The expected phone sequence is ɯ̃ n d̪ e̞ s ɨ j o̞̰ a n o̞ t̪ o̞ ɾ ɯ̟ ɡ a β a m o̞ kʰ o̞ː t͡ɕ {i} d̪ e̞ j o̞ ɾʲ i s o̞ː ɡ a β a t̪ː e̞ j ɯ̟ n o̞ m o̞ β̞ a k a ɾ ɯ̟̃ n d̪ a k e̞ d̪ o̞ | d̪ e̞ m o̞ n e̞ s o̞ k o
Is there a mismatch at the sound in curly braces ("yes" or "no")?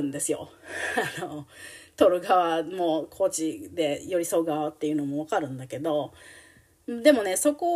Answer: no